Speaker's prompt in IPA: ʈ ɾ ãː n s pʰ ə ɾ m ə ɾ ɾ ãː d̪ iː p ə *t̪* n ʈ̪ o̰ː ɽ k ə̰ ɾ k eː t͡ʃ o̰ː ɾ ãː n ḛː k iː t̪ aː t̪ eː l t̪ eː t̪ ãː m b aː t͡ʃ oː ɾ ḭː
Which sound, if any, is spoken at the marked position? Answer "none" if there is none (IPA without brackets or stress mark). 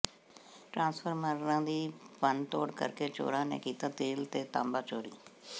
none